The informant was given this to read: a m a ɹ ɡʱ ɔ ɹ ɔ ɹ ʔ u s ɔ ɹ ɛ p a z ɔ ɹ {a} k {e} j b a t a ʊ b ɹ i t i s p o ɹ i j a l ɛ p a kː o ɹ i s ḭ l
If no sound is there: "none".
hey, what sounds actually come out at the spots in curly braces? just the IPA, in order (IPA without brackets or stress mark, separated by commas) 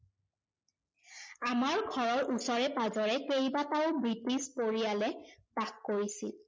ɛ, e